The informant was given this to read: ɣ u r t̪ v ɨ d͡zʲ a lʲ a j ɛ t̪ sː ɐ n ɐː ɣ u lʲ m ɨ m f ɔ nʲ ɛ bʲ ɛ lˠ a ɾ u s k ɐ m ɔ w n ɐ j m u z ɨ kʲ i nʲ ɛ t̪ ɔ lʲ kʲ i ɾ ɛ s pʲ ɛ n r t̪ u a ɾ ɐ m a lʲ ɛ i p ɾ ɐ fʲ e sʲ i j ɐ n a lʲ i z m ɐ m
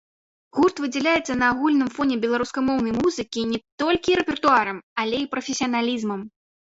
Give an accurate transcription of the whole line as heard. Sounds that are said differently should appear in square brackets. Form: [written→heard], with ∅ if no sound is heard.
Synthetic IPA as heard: ɣ u r t̪ v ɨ d͡zʲ [a→ɛ] lʲ a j ɛ t̪ sː ɐ n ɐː ɣ u lʲ [m→n] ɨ m f ɔ nʲ ɛ bʲ ɛ lˠ a ɾ u s k ɐ m ɔ w n ɐ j m u z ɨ kʲ i nʲ ɛ t̪ ɔ lʲ kʲ i ɾ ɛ [s→∅] pʲ ɛ [n→∅] r t̪ u a ɾ ɐ m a lʲ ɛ i p ɾ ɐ fʲ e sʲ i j ɐ n a lʲ i z m ɐ m